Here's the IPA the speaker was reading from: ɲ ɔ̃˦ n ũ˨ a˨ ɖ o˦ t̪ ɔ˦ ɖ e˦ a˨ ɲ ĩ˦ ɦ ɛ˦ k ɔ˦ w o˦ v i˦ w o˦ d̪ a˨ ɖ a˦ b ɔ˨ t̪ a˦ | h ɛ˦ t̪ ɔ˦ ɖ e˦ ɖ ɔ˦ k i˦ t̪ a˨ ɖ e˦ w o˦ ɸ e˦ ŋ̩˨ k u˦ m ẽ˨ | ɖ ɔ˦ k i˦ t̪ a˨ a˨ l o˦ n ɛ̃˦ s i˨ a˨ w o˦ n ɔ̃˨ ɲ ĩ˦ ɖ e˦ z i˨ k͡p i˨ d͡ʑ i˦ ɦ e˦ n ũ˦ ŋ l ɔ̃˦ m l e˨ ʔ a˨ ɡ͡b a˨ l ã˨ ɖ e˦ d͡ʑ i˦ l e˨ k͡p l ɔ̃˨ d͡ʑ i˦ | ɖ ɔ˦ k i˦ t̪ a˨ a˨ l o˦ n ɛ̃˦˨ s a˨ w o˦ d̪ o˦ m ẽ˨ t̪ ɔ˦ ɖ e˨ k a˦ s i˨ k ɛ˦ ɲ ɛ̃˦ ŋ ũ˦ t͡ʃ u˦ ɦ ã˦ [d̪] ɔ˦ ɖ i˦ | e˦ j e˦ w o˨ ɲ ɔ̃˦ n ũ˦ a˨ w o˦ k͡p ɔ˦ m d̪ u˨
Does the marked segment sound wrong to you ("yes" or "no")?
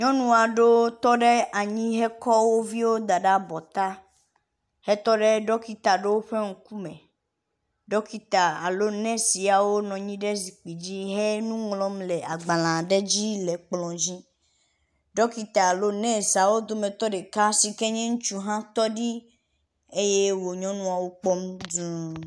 yes